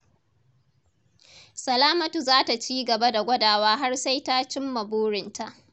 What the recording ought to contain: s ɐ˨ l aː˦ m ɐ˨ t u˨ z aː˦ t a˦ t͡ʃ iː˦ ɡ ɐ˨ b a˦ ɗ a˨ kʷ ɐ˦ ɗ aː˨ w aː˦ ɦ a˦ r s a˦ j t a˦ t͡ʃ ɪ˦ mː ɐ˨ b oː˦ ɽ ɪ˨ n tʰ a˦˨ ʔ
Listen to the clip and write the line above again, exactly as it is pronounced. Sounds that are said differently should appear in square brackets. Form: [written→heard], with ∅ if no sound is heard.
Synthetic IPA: s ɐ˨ l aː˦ m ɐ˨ t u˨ z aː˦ t [a˦→a˨] t͡ʃ iː˦ ɡ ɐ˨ b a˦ [ɗ→d] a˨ [kʷ→ɡʷ] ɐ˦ [ɗ→d] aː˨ w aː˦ ɦ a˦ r s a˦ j t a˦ t͡ʃ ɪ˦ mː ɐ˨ b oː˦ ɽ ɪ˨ n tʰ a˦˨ ʔ

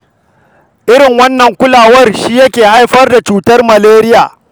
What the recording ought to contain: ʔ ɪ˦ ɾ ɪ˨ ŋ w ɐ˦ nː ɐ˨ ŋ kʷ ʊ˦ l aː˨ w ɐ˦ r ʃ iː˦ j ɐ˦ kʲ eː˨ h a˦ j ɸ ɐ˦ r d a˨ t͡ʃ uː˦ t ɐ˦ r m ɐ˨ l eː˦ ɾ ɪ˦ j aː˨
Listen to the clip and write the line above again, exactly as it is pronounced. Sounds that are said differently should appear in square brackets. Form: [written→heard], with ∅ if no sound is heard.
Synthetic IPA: ʔ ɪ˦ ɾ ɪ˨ ŋ w ɐ˦ nː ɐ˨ ŋ kʷ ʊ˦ l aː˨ w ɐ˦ r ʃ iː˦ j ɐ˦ kʲ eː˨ h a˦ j ɸ ɐ˦ r d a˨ t͡ʃ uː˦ t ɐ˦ r m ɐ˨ l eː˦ ɾ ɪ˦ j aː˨

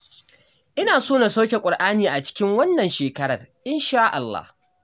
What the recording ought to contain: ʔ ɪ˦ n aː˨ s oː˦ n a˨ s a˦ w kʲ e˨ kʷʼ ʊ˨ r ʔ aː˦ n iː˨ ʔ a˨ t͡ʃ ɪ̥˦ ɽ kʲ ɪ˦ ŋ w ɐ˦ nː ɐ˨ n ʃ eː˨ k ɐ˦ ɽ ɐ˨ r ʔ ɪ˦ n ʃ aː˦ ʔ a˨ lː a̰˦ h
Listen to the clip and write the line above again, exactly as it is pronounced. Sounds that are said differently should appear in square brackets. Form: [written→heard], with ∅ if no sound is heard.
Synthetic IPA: ʔ ɪ˦ n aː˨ s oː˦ n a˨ s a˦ w kʲ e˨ kʷʼ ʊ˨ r ʔ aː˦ n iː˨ ʔ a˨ t͡ʃ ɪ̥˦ [ɽ→∅] kʲ ɪ˦ ŋ w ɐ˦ nː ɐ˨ n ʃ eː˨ k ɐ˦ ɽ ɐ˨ r ʔ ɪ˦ n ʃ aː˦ ʔ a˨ lː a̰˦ h

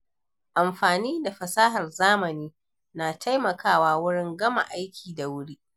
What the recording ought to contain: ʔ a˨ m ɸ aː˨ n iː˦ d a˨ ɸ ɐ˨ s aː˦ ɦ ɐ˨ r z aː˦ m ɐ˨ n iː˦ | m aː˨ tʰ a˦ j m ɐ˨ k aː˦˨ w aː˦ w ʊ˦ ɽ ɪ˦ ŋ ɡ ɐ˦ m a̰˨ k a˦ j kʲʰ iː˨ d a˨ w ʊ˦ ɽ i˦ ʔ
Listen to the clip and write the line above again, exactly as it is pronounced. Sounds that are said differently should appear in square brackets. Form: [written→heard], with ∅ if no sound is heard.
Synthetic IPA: ʔ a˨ m ɸ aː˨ n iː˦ d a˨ ɸ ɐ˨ s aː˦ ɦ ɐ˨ r z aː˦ m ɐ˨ n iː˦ | [m→n] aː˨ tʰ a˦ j m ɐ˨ k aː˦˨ w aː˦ w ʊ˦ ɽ ɪ˦ ŋ ɡ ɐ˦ m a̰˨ [k→ʔ] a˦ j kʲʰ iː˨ d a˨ w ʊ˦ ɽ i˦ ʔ

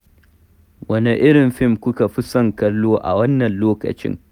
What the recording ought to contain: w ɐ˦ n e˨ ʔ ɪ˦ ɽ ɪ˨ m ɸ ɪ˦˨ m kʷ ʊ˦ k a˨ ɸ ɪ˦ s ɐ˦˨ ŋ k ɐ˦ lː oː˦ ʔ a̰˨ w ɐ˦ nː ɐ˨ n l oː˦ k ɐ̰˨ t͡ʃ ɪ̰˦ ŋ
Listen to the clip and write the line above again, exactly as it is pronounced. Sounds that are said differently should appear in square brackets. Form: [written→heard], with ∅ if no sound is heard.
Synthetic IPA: w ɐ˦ n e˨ ʔ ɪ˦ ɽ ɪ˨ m ɸ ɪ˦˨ m kʷ ʊ˦ k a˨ ɸ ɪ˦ s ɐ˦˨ ŋ k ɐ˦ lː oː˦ ʔ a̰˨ w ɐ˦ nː ɐ˨ n l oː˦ k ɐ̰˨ t͡ʃ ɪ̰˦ ŋ

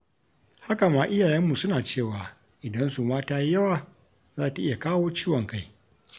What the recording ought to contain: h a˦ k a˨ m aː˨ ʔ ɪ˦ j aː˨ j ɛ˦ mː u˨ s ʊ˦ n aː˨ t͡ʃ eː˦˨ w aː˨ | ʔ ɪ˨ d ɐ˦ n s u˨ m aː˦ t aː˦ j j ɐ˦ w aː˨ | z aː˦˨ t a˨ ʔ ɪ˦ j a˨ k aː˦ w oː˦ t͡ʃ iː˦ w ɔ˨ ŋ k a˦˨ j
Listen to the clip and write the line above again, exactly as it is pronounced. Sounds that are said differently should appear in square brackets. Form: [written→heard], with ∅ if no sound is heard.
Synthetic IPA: h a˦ k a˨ m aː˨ ʔ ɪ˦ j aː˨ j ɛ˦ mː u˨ s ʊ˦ n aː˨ t͡ʃ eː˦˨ w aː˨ | ʔ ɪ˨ d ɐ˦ n s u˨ m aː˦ t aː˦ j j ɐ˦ w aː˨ | z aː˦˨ t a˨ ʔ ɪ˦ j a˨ k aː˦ w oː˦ t͡ʃ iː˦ w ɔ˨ ŋ k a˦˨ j

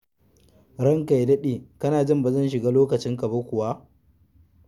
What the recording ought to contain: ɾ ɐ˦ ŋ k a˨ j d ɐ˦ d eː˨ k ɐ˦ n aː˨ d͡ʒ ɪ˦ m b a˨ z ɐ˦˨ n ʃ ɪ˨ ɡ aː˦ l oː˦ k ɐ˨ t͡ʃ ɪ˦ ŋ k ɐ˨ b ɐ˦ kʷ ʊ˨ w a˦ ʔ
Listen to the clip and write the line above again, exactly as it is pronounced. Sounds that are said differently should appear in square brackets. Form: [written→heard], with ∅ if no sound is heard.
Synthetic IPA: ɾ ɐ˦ ŋ k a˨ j d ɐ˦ [d→ɗ] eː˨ k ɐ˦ n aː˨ d͡ʒ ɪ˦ m b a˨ z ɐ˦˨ n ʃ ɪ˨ ɡ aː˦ l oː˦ k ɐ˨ t͡ʃ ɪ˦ ŋ k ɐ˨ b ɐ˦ kʷ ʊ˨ w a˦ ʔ

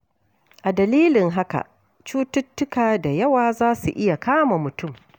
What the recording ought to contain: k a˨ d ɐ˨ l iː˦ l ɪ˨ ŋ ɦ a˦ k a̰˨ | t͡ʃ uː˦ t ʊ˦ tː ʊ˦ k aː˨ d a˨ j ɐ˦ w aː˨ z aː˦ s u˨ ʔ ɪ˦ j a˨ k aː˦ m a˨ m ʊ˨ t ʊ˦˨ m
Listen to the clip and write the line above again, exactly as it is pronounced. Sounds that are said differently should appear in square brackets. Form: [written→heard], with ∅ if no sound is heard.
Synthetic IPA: [k→ʔ] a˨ d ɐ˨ l iː˦ l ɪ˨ ŋ ɦ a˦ k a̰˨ | t͡ʃ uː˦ t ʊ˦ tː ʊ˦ k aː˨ d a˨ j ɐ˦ w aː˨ z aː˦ s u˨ ʔ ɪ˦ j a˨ k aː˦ m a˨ m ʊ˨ t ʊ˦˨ m

